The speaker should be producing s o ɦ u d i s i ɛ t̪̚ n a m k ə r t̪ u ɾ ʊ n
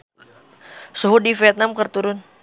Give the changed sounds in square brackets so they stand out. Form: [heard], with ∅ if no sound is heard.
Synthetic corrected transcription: s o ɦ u d i [f] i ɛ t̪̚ n a m k ə r t̪ u ɾ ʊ n